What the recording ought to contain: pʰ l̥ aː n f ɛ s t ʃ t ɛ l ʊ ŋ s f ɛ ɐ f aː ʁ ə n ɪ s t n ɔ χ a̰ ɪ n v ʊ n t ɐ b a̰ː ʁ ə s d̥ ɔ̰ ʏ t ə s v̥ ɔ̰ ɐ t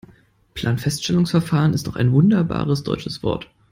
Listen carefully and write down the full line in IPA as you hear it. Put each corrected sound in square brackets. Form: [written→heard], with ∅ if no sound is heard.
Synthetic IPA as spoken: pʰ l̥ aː n f ɛ s t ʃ t ɛ l ʊ ŋ s f ɛ ɐ f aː ʁ ə n ɪ s t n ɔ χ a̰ ɪ n v ʊ n [t→d] ɐ b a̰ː ʁ ə s d̥ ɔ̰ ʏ [t→t͡ʃ] ə s v̥ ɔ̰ ɐ t